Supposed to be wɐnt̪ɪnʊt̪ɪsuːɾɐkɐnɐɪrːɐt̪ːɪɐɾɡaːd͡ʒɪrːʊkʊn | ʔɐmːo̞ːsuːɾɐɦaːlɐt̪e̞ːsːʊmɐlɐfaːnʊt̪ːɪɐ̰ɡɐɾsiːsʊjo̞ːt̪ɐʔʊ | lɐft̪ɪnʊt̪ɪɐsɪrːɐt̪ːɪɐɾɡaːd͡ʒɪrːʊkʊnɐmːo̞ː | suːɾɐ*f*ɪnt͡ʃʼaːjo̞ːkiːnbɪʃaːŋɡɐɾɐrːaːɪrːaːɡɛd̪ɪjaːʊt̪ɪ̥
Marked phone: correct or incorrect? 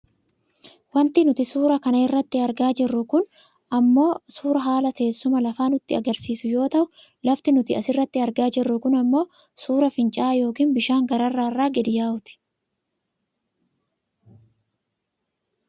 correct